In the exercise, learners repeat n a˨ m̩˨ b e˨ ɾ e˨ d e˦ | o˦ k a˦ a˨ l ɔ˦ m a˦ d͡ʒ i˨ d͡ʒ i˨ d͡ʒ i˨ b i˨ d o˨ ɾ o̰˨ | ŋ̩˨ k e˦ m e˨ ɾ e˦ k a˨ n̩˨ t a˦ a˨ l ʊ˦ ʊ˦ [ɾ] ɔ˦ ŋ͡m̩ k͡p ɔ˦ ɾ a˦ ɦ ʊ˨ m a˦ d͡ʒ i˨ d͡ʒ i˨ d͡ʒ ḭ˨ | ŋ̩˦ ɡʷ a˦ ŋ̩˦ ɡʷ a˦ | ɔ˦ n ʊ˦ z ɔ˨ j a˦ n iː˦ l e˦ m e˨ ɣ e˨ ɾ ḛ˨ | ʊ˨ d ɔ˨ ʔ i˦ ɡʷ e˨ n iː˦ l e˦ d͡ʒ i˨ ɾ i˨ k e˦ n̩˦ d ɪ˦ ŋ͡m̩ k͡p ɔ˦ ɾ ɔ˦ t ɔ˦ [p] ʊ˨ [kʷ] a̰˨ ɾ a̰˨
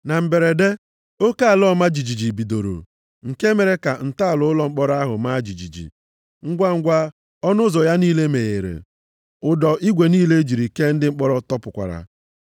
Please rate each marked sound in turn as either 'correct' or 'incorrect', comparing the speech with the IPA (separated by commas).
incorrect, correct, correct